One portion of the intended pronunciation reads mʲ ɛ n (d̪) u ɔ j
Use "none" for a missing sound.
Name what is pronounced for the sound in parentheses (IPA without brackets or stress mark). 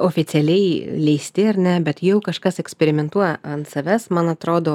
t̪